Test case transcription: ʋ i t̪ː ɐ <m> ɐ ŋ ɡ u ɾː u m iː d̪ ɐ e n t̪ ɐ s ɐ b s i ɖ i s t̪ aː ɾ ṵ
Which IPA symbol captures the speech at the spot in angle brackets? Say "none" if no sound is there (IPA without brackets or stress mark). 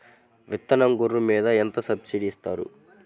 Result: n